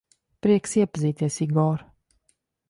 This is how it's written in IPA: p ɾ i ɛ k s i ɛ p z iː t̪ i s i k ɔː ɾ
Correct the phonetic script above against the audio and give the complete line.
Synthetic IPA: p ɾ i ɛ k s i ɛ p z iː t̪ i s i ɡ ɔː ɾ